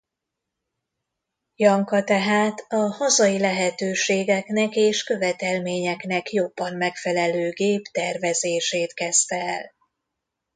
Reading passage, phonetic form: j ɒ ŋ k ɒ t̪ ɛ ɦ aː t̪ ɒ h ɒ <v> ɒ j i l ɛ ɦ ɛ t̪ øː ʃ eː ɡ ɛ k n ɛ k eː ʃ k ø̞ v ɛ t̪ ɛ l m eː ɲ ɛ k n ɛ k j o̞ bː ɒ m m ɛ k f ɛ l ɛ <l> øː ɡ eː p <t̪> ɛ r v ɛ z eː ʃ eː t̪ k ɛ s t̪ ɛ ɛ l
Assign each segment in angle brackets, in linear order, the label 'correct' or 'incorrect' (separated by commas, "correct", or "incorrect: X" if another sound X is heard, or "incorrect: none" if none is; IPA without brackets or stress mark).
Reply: incorrect: z, correct, correct